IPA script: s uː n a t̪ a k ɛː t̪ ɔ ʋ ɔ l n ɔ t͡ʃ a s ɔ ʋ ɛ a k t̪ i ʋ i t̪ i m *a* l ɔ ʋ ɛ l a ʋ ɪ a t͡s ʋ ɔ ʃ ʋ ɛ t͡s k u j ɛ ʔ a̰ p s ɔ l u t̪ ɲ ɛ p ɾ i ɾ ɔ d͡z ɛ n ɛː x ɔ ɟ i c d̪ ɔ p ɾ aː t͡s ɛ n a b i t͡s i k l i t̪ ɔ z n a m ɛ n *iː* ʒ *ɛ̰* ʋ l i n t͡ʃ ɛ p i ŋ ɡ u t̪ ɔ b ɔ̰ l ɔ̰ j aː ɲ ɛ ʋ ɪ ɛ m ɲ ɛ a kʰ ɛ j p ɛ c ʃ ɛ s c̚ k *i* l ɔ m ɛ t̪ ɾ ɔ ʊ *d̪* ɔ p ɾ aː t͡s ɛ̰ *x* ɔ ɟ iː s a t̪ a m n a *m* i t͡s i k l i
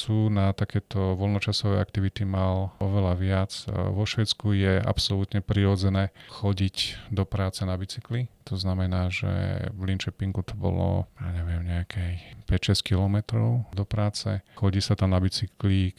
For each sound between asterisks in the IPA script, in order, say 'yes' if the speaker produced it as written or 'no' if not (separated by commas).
yes, no, yes, yes, yes, yes, no